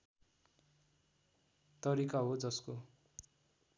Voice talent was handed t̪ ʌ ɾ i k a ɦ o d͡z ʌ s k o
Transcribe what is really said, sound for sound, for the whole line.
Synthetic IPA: t̪ ʌ ɾ i k a ɦ o d͡z ʌ s k o